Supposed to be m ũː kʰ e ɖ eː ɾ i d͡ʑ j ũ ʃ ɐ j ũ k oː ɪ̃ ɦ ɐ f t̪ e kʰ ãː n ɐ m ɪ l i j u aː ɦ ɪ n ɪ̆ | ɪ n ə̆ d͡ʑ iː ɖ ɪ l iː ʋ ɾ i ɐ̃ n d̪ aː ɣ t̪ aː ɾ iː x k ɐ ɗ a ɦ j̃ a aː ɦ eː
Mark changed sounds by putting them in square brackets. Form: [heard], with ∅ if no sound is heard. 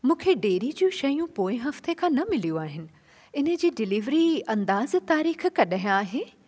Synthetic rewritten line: m ũː kʰ e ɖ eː ɾ i d͡ʑ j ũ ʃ ɐ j ũ [p] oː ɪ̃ ɦ ɐ f t̪ e kʰ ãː n ɐ m ɪ l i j u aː ɦ ɪ n ɪ̆ | ɪ n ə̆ d͡ʑ iː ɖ ɪ l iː ʋ ɾ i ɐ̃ n d̪ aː [z] t̪ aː ɾ iː x k ɐ ɗ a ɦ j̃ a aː ɦ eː